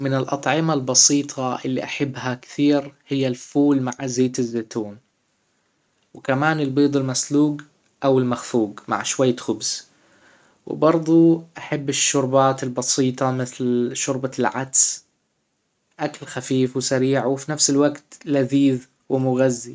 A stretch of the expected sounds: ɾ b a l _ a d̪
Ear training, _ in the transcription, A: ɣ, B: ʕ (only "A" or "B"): B